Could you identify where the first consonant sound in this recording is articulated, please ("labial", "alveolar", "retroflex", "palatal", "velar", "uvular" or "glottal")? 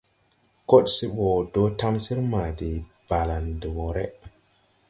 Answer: velar